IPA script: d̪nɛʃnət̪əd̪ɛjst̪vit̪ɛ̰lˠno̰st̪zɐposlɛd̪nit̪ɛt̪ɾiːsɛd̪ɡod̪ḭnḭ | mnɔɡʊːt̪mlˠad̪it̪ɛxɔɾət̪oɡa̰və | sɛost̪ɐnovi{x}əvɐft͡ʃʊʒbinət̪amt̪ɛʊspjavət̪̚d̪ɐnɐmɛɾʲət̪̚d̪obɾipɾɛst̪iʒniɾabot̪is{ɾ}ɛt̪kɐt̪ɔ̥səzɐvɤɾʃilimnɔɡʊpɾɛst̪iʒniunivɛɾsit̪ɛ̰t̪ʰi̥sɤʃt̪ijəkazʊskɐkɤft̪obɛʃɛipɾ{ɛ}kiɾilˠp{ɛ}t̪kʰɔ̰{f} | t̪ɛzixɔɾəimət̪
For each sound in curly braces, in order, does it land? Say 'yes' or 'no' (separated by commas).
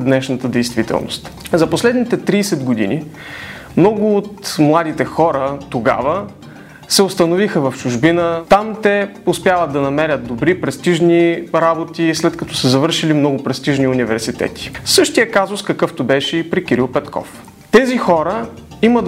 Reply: yes, no, no, yes, yes